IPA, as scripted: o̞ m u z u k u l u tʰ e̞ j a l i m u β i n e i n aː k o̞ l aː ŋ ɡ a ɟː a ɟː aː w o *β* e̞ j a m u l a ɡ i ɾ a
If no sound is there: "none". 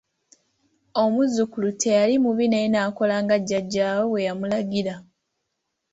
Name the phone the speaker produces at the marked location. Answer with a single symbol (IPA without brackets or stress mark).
w